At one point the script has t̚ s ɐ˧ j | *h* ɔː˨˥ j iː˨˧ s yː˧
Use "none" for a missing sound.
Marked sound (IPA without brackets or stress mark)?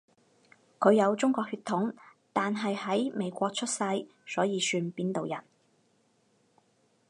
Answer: s